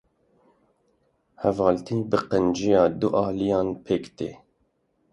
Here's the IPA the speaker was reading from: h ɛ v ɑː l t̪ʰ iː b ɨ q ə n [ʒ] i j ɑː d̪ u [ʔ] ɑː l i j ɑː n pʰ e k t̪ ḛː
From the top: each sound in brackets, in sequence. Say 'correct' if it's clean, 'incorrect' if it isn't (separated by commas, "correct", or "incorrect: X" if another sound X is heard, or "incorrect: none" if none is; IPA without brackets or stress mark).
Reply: incorrect: d͡ʒ, correct